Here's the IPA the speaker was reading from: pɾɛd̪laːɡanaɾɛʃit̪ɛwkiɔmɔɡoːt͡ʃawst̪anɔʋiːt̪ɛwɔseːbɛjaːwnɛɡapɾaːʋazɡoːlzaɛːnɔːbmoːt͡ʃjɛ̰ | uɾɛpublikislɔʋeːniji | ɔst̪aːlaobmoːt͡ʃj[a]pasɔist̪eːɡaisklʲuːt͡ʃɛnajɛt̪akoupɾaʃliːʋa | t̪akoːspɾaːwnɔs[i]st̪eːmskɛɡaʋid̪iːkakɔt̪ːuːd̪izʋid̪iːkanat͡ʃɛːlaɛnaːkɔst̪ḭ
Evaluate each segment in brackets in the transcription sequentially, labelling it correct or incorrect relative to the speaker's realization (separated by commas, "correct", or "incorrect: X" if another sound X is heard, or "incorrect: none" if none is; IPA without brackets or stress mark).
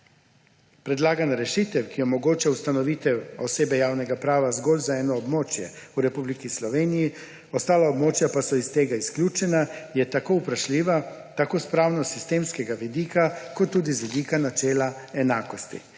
correct, correct